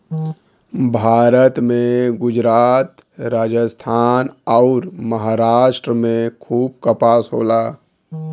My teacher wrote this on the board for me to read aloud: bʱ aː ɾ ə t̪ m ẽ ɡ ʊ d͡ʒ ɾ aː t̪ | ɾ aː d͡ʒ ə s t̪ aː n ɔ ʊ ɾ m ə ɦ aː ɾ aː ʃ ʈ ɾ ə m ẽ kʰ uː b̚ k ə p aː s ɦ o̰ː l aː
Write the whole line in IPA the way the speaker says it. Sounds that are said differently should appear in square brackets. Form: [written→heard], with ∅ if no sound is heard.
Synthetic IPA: bʱ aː ɾ ə t̪ m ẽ ɡ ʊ d͡ʒ ɾ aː t̪ | ɾ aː d͡ʒ ə s [t̪→t̪ʰ] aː n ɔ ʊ ɾ m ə ɦ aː ɾ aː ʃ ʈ ɾ ə m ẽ kʰ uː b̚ k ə p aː s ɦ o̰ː l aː